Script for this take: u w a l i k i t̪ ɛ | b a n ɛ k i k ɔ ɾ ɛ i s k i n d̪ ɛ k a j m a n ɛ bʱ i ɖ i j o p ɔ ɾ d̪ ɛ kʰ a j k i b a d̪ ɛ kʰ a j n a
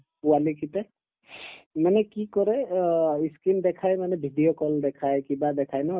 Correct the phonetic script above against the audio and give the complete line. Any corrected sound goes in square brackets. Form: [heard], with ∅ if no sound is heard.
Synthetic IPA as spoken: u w a l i k i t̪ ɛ | [m] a n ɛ k i k ɔ ɾ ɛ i s k i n d̪ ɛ [kʰ] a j m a n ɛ bʱ i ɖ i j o [k] ɔ [l] d̪ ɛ kʰ a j k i b a d̪ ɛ kʰ a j n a